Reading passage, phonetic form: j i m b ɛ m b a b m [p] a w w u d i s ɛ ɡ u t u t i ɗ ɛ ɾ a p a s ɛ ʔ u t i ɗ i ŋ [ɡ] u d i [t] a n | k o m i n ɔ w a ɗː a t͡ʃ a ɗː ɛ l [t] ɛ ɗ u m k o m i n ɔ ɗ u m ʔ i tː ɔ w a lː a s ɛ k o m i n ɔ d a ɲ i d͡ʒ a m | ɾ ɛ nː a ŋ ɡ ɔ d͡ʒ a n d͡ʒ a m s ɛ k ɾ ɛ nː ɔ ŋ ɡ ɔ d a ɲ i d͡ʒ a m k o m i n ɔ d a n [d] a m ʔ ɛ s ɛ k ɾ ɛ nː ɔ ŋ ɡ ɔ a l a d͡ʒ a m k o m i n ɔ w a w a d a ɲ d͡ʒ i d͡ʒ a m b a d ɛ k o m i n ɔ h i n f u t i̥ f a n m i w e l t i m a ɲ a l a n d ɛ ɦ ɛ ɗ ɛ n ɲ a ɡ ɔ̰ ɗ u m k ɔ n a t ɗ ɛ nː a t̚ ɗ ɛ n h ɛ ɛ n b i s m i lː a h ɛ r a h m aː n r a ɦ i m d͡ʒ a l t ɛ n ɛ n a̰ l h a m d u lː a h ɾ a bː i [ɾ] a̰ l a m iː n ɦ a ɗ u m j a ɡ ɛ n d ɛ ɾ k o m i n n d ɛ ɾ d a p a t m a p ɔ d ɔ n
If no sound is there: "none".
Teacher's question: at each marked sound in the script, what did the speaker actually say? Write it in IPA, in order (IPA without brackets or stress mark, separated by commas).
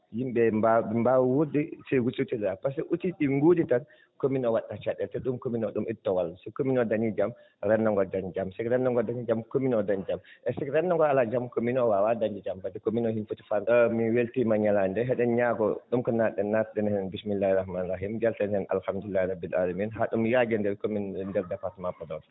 b, ɡ, t, t, d͡ʒ, l